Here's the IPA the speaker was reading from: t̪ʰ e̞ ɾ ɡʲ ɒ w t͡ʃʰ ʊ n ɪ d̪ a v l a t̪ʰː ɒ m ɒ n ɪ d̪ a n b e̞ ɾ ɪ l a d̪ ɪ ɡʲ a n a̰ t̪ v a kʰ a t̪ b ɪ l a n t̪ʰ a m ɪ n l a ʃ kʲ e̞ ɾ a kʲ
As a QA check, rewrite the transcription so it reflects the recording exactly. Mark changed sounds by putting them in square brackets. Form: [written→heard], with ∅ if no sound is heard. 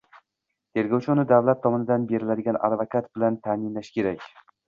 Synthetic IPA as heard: t̪ʰ e̞ ɾ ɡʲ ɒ w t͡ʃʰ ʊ n ɪ d̪ a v l a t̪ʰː ɒ m ɒ n ɪ d̪ a n b e̞ ɾ ɪ l a d̪ ɪ ɡʲ a n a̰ [t̪→d̪] v a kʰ a t̪ b ɪ l a n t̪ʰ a m ɪ n l a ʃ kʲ e̞ ɾ a kʲ

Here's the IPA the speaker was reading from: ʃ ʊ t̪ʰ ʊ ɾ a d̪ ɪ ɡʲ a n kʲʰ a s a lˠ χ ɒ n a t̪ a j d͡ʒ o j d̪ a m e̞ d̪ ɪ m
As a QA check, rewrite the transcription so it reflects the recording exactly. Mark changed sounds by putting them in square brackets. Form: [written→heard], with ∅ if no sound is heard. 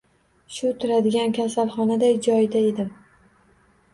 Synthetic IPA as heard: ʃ ʊ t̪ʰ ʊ ɾ a d̪ ɪ ɡʲ a n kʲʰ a s a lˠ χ ɒ n a [t̪→d̪] a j d͡ʒ [o→ɒ] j d̪ a [m→∅] e̞ d̪ ɪ m

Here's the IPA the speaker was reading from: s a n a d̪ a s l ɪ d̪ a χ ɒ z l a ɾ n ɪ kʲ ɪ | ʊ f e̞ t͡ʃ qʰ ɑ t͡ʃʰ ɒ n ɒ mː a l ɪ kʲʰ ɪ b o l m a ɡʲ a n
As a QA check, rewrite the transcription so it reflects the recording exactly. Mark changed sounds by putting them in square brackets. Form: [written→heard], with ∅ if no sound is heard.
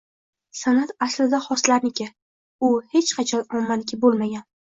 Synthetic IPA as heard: s a n a [d̪→t̪] a s l ɪ d̪ a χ ɒ [z→s] l a ɾ n ɪ kʲ ɪ | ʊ [f→h] e̞ t͡ʃ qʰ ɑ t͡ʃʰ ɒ n ɒ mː a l ɪ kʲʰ ɪ b o l m a ɡʲ a n

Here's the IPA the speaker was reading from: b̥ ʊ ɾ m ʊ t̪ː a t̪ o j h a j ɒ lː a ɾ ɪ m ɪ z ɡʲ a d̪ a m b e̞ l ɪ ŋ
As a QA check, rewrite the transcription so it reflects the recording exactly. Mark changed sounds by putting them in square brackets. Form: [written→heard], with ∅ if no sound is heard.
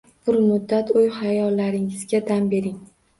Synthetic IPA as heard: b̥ ʊ ɾ m ʊ [t̪ː→d̪ː] a t̪ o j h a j ɒ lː a ɾ ɪ [m→ŋ] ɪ z ɡʲ a d̪ a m b e̞ [l→ɾ] ɪ ŋ

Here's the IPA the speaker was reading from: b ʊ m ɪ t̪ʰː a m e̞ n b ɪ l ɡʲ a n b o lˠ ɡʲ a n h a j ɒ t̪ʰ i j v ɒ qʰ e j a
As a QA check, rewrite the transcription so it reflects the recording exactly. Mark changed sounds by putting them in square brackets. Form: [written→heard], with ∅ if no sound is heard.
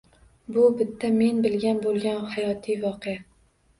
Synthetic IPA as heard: b ʊ [m→b] ɪ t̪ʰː a m e̞ n b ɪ l ɡʲ a n b o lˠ ɡʲ a n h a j ɒ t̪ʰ i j v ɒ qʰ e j a

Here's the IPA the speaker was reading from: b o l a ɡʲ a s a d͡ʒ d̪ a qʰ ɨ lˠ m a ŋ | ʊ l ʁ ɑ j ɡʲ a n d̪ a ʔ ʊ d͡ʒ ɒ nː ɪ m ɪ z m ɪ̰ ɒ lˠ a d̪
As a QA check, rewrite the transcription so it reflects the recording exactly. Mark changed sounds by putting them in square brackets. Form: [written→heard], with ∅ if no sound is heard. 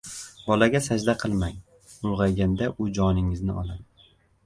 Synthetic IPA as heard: b [o→ɒ] l a ɡʲ a s a d͡ʒ d̪ a qʰ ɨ lˠ m a ŋ | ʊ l ʁ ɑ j ɡʲ a n d̪ a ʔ ʊ d͡ʒ ɒ [nː→n] ɪ [m→ŋ] ɪ z [m→n] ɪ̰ ɒ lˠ a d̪

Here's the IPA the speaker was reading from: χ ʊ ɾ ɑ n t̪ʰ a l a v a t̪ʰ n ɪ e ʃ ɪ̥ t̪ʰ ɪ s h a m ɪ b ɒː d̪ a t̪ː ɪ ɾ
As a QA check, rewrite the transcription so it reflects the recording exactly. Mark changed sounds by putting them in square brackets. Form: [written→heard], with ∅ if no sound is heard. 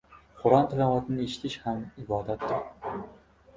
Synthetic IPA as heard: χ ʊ ɾ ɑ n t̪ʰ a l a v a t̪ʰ n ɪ e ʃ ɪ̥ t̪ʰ ɪ [s→ʃ] h a m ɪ b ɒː d̪ a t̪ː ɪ ɾ

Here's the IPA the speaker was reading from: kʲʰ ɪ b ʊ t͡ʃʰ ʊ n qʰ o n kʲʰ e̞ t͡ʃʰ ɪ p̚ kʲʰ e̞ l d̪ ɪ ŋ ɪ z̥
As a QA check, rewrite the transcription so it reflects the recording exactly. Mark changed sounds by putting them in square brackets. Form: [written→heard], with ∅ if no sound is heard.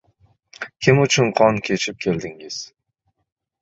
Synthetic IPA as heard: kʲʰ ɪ [b→m] ʊ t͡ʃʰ ʊ n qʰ [o→ɒ] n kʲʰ e̞ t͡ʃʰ ɪ p̚ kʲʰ e̞ l d̪ ɪ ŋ ɪ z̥

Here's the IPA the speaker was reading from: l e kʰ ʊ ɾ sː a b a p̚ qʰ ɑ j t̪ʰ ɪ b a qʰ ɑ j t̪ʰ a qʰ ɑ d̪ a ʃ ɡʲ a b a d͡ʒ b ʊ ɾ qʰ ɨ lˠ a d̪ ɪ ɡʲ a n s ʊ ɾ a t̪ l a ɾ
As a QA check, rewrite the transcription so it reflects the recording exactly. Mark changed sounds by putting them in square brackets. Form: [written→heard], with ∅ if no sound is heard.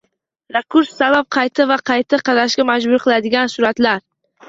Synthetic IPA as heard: [l→ɾ] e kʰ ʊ ɾ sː a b a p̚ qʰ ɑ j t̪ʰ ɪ [b→v] a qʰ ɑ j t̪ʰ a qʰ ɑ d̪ a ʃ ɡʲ a [b→m] a d͡ʒ b ʊ ɾ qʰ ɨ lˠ a d̪ ɪ ɡʲ a n s ʊ ɾ a t̪ l a ɾ

